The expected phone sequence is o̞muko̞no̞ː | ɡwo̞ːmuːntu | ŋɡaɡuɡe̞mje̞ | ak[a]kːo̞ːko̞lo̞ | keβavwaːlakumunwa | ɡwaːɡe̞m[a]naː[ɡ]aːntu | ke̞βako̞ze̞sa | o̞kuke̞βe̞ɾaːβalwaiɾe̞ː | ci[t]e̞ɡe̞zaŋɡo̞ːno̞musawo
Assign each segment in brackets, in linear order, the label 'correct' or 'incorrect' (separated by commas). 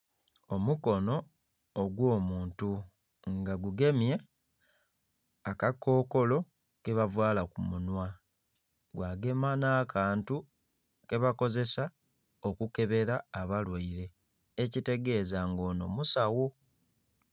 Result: correct, correct, incorrect, correct